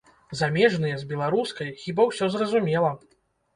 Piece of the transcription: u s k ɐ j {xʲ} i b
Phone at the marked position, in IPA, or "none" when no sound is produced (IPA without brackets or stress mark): xʲ